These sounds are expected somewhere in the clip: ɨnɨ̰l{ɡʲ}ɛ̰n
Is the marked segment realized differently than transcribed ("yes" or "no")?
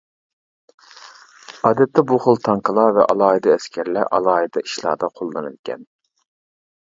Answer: yes